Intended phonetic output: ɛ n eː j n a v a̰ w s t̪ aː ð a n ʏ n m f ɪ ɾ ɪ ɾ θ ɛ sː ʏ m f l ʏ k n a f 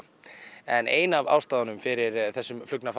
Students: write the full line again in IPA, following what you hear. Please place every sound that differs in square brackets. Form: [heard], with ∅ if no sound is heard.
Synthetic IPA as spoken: ɛ n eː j n a v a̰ w s t̪ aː ð a n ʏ [∅] m f ɪ ɾ ɪ ɾ θ ɛ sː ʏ m f l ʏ k n a f